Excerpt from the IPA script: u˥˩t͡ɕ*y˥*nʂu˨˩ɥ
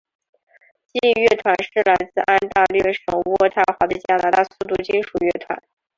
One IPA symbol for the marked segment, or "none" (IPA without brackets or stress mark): i˥